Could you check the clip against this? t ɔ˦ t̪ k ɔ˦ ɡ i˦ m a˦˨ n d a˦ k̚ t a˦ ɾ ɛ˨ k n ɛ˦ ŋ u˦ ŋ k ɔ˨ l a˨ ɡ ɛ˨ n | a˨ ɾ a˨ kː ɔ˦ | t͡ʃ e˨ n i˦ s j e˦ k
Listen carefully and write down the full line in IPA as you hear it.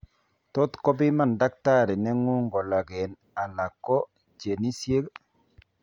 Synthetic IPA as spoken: t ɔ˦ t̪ k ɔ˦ b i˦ m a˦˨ n d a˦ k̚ t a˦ ɾ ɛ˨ n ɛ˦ ŋ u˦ ŋ ɡ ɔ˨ l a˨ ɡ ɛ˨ n | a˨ l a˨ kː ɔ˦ | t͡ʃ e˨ n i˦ s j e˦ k